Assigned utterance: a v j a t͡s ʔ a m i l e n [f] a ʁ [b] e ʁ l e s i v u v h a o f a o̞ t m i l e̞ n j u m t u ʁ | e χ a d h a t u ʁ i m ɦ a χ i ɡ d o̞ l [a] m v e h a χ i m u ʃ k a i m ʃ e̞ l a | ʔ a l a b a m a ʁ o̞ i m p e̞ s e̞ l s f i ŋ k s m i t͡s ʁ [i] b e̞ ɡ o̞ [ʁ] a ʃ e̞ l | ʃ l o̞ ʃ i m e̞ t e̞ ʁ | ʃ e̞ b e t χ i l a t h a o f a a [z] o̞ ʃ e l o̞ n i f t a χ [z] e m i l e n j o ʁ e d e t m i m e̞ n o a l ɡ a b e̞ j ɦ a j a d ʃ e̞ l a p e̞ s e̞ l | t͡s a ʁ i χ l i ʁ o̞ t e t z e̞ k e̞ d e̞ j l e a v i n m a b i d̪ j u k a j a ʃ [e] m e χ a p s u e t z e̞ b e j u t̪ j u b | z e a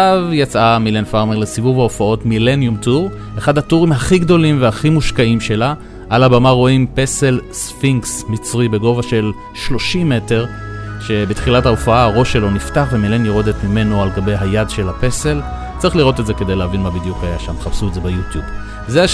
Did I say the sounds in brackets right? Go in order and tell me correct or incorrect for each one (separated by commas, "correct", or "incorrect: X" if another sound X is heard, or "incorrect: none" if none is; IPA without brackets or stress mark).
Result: correct, incorrect: m, incorrect: i, correct, incorrect: v, incorrect: ʁ, incorrect: v, incorrect: a